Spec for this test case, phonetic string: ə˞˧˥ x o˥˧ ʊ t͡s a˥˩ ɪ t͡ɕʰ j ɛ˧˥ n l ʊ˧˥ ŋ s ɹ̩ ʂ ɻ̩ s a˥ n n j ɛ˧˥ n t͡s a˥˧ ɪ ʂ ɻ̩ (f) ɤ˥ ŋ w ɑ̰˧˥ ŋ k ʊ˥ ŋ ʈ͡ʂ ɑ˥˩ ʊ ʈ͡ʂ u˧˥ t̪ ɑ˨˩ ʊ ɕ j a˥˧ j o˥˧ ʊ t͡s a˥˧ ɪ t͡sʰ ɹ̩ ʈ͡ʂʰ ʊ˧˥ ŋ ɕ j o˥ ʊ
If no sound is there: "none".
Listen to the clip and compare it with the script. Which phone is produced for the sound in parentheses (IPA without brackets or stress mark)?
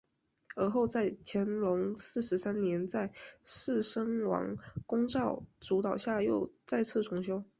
ʂ